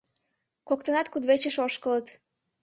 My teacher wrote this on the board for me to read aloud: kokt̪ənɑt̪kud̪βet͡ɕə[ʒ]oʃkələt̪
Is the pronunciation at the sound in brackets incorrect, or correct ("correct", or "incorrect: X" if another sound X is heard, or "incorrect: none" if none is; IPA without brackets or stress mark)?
incorrect: ʃ